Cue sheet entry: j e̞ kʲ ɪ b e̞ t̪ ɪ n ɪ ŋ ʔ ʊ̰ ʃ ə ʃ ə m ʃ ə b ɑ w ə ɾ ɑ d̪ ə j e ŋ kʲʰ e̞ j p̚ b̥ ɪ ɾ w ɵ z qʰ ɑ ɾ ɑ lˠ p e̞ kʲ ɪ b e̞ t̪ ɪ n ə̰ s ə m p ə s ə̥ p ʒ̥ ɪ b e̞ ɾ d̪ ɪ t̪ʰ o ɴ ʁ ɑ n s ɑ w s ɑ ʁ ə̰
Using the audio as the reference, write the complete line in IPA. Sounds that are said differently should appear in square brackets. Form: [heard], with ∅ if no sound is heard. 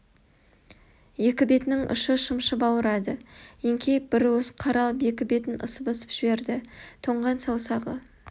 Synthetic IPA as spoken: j e̞ kʲ ɪ b e̞ t̪ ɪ n ɪ ŋ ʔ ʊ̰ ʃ ə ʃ ə m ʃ ə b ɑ w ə ɾ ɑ d̪ ə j e ŋ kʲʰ e̞ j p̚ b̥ ɪ ɾ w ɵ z qʰ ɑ ɾ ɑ lˠ p e̞ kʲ ɪ b e̞ t̪ ɪ n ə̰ s ə [∅] p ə s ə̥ p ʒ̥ ɪ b e̞ ɾ d̪ ɪ t̪ʰ o ɴ ʁ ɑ n s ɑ w s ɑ ʁ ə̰